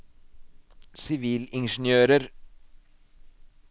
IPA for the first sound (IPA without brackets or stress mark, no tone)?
s